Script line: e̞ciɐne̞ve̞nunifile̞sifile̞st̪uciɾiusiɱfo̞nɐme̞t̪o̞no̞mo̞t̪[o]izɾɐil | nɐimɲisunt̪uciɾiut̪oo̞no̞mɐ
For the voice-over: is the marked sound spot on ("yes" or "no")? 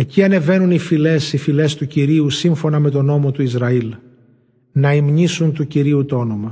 no